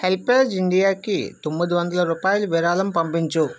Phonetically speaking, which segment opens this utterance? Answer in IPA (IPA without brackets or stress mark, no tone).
h